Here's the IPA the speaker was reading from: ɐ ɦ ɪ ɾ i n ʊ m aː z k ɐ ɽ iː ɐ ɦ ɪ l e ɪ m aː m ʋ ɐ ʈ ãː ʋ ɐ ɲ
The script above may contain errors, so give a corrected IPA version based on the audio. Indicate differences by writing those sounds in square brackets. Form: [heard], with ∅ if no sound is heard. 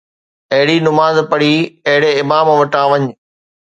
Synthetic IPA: ɐ ɦ ɪ [ɽ] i n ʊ m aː z [p] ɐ ɽ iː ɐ ɦ ɪ [ɽ] e ɪ m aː m ʋ ɐ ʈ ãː ʋ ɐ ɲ